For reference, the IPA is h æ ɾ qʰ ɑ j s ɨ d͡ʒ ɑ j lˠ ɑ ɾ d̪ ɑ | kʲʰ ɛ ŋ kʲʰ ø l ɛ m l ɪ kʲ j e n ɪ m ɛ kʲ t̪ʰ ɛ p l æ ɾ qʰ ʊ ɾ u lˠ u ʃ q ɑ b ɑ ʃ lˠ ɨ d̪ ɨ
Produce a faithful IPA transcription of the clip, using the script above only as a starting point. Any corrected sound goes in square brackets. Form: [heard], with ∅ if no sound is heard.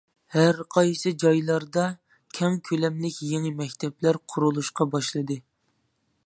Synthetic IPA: h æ ɾ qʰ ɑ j s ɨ d͡ʒ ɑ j lˠ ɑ ɾ d̪ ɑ | kʲʰ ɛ ŋ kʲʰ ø l ɛ m l ɪ kʲ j e [ŋ] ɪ m ɛ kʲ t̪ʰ ɛ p l æ ɾ qʰ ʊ ɾ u lˠ u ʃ q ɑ b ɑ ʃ lˠ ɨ d̪ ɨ